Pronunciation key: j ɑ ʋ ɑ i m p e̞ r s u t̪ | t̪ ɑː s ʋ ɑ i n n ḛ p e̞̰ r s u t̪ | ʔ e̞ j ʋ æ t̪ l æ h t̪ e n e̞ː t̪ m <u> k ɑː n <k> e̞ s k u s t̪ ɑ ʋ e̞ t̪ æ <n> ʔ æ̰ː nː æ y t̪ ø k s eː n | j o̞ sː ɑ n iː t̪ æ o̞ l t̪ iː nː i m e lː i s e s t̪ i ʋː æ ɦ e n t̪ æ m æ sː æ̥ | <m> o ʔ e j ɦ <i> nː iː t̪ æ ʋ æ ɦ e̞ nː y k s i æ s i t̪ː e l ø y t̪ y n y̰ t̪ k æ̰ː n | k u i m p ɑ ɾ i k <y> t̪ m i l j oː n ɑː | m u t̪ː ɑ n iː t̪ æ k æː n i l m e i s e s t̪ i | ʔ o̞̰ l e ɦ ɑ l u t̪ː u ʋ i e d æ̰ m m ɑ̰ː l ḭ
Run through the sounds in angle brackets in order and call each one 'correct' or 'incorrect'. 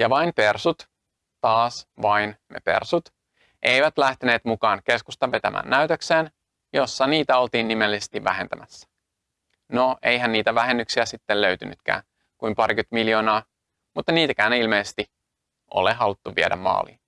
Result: correct, correct, incorrect: m, incorrect: n, incorrect: æ, correct

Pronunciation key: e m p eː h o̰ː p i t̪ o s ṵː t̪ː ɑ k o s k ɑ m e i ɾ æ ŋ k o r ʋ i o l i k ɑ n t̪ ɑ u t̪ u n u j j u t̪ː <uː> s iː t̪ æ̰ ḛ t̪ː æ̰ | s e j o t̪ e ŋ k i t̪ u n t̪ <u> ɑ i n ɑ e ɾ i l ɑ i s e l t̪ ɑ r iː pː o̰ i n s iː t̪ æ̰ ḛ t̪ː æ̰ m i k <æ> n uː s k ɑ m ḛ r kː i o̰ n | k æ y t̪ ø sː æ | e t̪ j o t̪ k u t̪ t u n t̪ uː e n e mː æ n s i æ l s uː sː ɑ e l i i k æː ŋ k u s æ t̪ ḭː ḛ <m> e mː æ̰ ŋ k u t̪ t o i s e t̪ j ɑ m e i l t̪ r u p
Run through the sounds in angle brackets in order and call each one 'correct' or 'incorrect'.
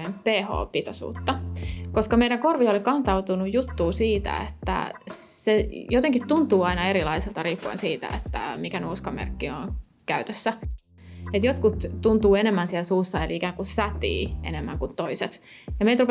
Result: correct, incorrect: uː, correct, incorrect: n

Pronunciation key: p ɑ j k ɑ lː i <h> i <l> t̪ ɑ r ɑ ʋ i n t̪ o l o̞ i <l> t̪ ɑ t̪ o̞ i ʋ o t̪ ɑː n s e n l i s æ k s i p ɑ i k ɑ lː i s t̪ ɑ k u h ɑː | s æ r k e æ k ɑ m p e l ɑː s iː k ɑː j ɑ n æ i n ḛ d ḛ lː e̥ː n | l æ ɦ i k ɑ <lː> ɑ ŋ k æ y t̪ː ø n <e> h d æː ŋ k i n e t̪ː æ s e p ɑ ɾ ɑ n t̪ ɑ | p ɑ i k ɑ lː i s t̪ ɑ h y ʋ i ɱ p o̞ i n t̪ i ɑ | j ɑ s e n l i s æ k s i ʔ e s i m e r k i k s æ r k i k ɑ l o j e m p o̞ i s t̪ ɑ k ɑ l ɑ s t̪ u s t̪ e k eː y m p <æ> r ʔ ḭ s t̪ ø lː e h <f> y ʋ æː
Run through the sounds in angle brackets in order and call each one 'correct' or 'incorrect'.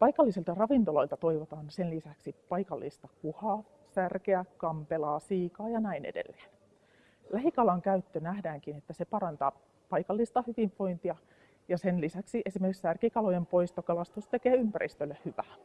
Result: incorrect: s, correct, correct, incorrect: l, incorrect: æ, correct, incorrect: h

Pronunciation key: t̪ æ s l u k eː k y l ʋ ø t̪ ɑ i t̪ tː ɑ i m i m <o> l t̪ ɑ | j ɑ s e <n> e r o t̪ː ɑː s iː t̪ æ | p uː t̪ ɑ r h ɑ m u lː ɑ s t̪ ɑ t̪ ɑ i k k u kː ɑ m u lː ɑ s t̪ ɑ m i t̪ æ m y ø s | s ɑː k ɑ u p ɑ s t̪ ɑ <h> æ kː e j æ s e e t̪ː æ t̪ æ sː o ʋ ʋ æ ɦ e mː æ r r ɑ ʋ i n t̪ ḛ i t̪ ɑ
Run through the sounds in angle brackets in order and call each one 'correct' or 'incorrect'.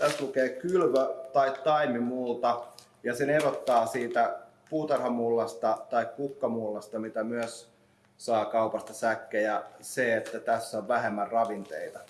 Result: incorrect: u, correct, incorrect: s

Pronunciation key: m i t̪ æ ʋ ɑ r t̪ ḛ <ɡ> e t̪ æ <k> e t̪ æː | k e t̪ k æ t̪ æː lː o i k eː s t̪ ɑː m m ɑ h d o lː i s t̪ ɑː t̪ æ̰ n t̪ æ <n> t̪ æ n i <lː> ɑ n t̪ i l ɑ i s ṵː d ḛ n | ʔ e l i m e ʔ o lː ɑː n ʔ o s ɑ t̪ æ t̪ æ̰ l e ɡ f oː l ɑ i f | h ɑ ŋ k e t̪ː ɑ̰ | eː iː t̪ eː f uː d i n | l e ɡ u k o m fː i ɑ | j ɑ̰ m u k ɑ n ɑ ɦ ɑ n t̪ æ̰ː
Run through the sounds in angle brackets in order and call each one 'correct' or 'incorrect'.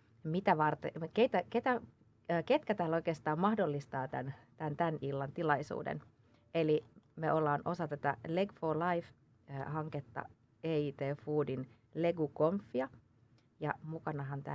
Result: incorrect: k, correct, correct, correct

